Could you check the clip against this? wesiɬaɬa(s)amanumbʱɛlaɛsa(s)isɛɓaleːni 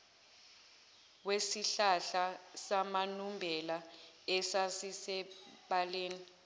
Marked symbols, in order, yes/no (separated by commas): yes, yes